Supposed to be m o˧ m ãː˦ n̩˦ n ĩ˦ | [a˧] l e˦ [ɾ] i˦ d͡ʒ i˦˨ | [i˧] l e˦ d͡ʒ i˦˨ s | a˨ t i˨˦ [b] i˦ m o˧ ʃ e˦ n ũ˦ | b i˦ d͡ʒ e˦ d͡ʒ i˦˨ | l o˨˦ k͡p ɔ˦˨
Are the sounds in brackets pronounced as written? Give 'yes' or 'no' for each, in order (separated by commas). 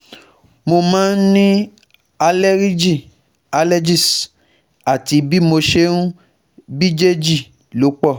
yes, yes, no, yes